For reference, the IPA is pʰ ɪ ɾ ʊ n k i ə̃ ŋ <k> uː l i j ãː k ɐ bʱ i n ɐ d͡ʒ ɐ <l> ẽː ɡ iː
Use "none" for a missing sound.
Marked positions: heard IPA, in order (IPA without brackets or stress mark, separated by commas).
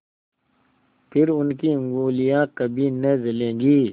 ɡ, l